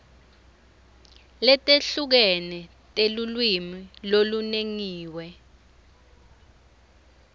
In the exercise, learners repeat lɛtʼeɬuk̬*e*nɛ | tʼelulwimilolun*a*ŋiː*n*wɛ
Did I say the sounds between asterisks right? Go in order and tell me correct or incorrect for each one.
incorrect, incorrect, incorrect

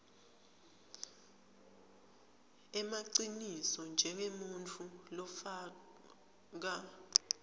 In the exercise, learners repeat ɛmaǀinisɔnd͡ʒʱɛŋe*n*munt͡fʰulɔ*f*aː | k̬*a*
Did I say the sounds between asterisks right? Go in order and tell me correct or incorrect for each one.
incorrect, correct, correct

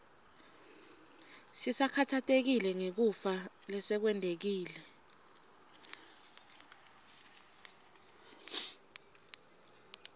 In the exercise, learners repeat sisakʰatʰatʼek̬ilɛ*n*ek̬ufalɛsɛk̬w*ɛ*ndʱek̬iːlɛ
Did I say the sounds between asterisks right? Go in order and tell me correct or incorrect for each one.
incorrect, correct

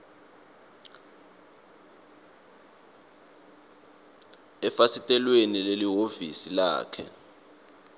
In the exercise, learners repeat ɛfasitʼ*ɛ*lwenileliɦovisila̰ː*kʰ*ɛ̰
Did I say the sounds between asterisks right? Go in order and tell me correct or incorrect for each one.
correct, correct

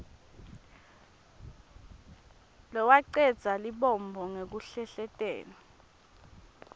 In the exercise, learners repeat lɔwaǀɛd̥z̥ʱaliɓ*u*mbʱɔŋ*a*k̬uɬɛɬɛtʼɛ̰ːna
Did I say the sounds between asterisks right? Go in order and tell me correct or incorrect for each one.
incorrect, incorrect

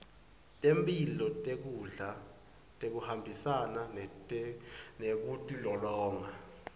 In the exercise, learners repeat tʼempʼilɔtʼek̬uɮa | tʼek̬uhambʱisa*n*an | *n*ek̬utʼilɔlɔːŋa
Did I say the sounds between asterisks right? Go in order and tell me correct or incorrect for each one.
correct, correct

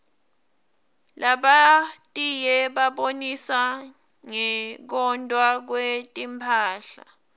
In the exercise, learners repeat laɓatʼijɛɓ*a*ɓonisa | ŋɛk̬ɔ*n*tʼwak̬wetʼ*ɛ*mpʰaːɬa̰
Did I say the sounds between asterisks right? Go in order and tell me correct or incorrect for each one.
correct, correct, incorrect

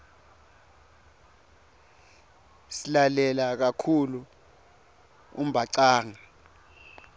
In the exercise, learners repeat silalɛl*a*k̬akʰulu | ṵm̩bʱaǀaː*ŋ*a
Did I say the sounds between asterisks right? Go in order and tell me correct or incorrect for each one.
correct, correct

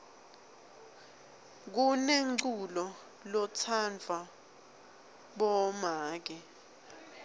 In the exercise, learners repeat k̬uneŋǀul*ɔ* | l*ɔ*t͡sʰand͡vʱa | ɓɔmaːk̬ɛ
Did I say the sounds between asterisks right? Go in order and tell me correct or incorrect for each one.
correct, correct

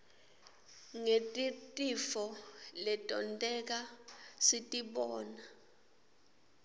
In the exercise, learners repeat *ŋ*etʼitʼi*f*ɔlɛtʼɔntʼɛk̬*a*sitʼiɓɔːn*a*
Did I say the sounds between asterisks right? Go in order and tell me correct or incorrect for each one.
correct, correct, correct, correct

